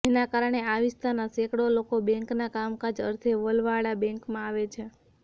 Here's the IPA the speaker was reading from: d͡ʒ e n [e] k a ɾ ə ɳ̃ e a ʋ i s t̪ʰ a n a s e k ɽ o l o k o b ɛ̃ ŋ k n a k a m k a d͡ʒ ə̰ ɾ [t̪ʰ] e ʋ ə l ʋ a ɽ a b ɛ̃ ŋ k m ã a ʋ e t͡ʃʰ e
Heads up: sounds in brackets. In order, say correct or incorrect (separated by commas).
incorrect, correct